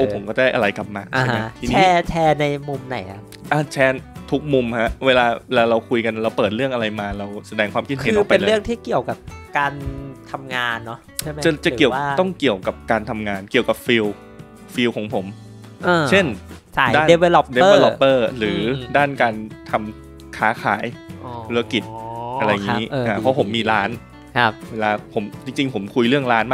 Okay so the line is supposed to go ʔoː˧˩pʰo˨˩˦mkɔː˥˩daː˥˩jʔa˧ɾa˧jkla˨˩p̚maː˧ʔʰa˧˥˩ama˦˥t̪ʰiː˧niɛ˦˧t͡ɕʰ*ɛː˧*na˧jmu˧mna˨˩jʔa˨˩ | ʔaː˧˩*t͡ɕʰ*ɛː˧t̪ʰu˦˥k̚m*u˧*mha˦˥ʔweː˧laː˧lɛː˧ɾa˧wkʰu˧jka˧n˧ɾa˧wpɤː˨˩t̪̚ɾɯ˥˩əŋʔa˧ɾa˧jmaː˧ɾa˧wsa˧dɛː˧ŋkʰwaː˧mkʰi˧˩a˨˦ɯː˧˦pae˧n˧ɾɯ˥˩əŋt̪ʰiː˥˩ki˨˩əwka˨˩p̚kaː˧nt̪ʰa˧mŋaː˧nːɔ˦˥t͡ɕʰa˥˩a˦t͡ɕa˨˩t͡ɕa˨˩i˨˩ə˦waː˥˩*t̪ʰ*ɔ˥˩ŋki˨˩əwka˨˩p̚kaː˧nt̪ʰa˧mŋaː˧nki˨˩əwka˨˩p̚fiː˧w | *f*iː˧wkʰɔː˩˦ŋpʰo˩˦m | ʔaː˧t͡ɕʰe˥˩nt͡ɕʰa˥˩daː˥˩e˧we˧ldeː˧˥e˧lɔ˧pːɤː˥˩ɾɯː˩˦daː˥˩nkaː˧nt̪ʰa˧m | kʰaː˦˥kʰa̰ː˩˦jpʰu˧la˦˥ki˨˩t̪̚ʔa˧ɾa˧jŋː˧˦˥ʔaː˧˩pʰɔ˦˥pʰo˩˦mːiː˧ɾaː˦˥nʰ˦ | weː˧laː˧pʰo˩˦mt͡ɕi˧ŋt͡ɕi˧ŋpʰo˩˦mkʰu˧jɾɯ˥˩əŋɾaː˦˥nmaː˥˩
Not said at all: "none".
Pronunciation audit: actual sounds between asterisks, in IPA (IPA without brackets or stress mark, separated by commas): ɛː˧, t͡ɕʰ, u˧, t̪, f